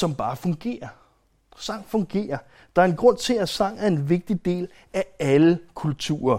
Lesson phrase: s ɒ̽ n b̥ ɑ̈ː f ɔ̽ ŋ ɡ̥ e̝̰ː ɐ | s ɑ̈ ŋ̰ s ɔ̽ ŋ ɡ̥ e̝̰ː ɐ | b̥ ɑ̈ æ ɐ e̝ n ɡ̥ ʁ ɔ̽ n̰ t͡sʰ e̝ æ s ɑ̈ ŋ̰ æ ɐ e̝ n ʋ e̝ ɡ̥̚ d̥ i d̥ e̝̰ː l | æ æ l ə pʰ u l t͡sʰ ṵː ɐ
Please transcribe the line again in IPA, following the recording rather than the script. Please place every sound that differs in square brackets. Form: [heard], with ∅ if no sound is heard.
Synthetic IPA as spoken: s ɒ̽ [m] b̥ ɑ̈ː f ɔ̽ ŋ ɡ̥ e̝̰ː ɐ | s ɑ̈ ŋ̰ [f] ɔ̽ ŋ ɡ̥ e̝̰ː ɐ | [d̥] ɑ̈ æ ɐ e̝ n ɡ̥ ʁ ɔ̽ n̰ t͡sʰ e̝ æ s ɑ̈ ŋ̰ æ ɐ e̝ n ʋ e̝ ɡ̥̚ d̥ i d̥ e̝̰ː l | æ æ l ə [kʰ] u l t͡sʰ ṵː ɐ